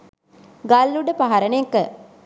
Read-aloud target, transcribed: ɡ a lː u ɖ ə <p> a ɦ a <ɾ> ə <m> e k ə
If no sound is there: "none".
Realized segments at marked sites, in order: p, ɾ, n

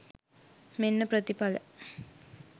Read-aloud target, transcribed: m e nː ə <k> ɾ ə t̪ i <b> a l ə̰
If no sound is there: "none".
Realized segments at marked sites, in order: p, p

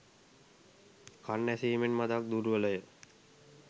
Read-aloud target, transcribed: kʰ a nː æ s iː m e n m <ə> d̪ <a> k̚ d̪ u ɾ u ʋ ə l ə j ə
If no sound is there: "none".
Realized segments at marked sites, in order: a, a

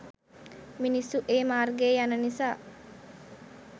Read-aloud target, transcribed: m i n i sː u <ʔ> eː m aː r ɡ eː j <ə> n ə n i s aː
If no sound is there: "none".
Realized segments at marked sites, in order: ʔ, a

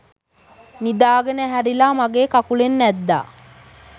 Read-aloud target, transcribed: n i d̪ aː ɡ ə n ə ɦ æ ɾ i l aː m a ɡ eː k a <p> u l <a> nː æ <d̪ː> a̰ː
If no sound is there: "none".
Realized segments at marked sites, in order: k, e, d̪ː

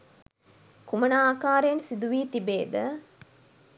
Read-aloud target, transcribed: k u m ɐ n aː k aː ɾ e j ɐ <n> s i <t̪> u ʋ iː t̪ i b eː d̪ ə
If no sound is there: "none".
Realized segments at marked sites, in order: n, d̪

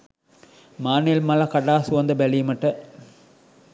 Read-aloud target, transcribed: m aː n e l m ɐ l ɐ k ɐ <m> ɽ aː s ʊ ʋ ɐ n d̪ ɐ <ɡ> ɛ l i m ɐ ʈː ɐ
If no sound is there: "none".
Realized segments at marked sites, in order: none, b

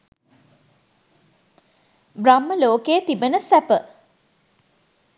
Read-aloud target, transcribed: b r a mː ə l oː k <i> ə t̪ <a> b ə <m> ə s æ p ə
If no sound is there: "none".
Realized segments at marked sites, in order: e, i, n

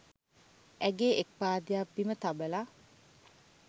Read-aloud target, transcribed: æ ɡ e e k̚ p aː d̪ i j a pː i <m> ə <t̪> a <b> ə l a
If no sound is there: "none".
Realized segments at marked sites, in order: m, t̪, b

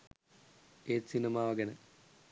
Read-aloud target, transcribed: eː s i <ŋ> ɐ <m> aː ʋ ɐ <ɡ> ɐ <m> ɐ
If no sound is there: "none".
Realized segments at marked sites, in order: n, m, ɡ, n

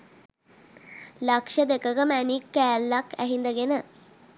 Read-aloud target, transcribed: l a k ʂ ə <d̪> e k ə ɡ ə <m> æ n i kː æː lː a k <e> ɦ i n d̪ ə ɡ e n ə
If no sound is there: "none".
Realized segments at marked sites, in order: d̪, m, æ

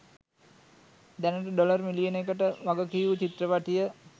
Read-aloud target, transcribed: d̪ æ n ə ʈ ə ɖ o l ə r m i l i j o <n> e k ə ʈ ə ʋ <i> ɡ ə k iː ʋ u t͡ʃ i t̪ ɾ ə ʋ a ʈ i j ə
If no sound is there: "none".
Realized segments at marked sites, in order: n, a

